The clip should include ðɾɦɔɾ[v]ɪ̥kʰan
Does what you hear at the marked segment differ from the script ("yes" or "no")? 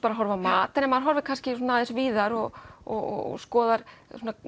no